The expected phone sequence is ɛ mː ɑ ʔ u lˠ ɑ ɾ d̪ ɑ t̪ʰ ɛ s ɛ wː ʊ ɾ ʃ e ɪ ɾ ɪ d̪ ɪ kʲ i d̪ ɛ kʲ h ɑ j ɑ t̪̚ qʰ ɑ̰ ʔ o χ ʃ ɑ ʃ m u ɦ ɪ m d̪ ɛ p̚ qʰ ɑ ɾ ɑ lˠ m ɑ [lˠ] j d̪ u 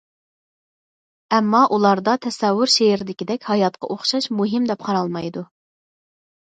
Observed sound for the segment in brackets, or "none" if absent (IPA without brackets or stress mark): none